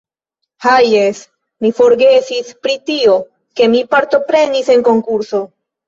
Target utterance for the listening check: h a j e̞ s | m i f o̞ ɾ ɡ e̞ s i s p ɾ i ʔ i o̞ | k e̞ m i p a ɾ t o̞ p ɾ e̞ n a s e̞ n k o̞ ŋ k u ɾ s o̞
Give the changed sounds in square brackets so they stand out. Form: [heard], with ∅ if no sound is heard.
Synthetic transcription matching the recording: h a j e̞ s | m i f o̞ ɾ ɡ e̞ s i s p ɾ i [t] i o̞ | k e̞ m i p a ɾ t o̞ p ɾ e̞ n [i] s e̞ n k o̞ ŋ k u ɾ s o̞

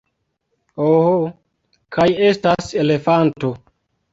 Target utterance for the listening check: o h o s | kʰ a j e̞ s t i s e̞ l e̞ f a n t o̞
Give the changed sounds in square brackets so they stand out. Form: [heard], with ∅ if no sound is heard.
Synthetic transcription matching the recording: o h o [∅] | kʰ a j e̞ s t [a] s e̞ l e̞ f a n t o̞

